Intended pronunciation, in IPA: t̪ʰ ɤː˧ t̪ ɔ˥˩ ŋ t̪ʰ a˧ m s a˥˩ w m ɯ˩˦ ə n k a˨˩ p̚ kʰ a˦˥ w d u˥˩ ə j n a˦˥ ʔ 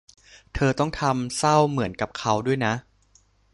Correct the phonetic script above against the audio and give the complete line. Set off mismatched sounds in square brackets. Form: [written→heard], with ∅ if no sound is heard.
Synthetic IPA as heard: t̪ʰ ɤː˧ t̪ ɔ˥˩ ŋ t̪ʰ a˧ m s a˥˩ w m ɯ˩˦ ə n k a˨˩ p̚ kʰ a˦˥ w d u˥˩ ə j n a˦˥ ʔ